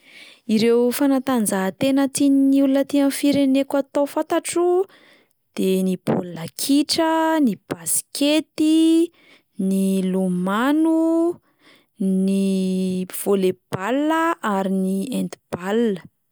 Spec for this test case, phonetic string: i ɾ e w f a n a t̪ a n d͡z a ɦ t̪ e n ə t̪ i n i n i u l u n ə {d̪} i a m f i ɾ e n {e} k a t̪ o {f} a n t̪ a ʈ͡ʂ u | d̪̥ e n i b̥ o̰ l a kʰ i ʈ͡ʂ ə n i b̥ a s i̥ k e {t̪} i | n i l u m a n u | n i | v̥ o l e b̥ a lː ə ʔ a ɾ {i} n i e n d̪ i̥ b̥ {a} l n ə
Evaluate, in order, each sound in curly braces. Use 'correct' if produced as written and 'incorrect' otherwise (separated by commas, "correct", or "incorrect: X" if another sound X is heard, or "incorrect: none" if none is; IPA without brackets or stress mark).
incorrect: t̪, correct, correct, correct, correct, correct